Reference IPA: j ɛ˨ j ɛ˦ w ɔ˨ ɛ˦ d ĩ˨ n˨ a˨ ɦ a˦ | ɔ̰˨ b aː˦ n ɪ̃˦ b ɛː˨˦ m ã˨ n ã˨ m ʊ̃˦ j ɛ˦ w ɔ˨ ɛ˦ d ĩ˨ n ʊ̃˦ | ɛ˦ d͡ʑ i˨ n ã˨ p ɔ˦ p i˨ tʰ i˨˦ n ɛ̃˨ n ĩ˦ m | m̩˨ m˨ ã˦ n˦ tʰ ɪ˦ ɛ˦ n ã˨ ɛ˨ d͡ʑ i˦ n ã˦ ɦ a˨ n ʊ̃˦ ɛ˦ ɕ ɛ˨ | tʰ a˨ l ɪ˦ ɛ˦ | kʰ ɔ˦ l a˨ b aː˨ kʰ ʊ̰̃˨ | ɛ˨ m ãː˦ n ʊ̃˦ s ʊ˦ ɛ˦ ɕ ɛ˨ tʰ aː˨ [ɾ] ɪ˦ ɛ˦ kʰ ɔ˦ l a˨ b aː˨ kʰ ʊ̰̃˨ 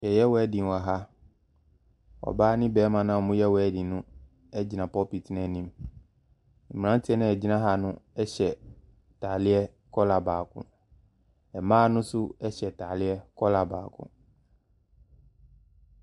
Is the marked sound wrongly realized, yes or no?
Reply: yes